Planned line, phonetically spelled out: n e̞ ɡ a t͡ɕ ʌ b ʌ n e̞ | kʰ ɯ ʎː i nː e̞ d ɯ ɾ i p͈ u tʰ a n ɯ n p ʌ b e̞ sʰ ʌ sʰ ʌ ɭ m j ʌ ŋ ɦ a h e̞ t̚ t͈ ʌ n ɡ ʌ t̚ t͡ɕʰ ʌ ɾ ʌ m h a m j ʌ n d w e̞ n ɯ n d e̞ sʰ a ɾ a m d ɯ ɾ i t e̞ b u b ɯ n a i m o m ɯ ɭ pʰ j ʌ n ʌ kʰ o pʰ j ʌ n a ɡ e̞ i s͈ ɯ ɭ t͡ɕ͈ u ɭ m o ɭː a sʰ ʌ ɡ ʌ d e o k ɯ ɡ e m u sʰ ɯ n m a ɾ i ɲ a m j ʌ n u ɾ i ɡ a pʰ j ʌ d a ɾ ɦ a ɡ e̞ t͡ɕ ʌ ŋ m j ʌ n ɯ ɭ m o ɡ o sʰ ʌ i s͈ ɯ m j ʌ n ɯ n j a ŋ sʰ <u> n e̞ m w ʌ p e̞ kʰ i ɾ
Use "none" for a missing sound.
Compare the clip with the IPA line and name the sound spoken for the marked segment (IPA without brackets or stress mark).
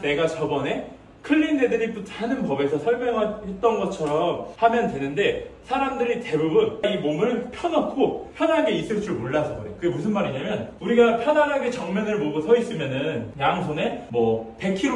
o